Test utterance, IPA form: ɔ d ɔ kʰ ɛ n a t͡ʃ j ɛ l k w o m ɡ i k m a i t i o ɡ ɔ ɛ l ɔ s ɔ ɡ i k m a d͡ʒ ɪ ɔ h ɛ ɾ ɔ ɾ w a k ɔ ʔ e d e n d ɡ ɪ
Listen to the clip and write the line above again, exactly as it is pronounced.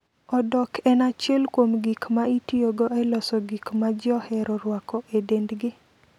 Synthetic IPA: ɔ d ɔ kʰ ɛ n a t͡ʃ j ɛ l k w o m ɡ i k m a i t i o ɡ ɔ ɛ l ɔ s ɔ ɡ i k m a d͡ʒ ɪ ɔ h ɛ ɾ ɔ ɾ w a k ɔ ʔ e d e n d ɡ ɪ